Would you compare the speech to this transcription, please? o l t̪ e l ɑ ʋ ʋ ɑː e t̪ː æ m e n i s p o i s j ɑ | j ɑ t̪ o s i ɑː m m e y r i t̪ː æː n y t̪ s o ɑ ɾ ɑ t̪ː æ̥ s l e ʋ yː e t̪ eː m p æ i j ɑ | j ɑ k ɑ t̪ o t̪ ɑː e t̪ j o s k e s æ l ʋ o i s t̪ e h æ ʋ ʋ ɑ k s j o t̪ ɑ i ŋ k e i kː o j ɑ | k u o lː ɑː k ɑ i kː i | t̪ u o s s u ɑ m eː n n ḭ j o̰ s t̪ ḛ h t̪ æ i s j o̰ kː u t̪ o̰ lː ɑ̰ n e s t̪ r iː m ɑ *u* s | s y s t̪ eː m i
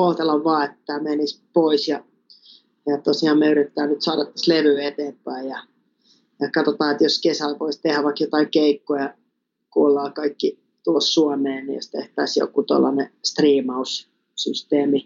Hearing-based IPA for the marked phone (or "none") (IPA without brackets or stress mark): u